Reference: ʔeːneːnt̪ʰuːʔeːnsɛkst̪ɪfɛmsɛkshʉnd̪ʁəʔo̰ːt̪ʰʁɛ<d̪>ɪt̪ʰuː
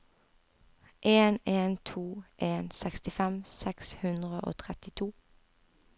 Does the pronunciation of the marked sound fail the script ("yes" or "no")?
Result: yes